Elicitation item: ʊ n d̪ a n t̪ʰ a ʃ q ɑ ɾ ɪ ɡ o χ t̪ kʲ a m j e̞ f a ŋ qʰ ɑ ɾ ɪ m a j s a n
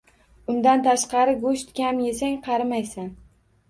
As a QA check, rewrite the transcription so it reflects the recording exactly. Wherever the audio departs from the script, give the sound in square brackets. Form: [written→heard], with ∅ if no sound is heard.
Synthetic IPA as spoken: ʊ n d̪ a n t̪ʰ a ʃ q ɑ ɾ ɪ ɡ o [χ→ʃ] t̪ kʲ a m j e̞ [f→s] a ŋ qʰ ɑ ɾ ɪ m a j s a n